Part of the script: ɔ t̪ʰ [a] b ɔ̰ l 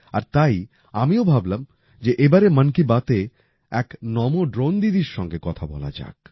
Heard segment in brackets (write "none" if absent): a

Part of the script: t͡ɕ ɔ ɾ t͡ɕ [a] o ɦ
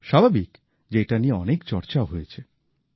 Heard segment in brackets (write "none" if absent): a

